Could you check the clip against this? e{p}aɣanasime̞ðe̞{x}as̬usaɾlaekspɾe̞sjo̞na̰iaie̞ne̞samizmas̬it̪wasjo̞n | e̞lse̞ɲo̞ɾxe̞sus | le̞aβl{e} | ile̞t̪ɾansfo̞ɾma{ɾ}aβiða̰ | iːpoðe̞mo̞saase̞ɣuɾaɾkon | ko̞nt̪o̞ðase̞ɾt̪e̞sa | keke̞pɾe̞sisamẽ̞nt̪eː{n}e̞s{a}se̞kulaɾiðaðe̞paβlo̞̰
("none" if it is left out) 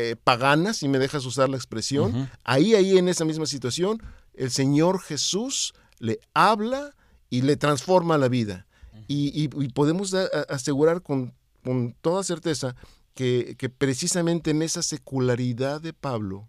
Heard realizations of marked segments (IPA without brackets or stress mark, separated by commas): p, x, a, l, n, a